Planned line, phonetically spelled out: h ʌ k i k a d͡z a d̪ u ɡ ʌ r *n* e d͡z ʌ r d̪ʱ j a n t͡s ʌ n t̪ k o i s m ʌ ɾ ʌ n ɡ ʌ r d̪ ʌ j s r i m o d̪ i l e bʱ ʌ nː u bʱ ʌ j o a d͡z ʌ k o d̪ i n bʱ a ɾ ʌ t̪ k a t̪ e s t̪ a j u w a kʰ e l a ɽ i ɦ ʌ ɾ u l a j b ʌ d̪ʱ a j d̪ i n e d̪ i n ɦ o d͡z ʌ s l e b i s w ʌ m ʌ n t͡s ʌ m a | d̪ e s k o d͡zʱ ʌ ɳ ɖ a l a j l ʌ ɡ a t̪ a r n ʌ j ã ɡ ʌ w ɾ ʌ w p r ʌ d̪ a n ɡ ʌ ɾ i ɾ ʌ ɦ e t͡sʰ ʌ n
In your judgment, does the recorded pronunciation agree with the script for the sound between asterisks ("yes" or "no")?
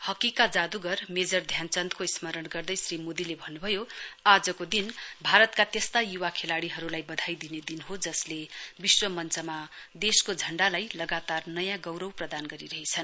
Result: no